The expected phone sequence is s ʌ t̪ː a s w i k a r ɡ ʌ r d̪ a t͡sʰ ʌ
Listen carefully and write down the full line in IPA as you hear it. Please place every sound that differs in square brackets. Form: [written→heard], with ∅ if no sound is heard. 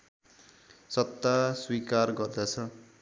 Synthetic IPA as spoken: s ʌ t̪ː a s w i k a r ɡ ʌ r d̪ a t͡sʰ ʌ